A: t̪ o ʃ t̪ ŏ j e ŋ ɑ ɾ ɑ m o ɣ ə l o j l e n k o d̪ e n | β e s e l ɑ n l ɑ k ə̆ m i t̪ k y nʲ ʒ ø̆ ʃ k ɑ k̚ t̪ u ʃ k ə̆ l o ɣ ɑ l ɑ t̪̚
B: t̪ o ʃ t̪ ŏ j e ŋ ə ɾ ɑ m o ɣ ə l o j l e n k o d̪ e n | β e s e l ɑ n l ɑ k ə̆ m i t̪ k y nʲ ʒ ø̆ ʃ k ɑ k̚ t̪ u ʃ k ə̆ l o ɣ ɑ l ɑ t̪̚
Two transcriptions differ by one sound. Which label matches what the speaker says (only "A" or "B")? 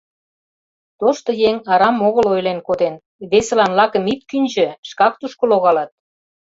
A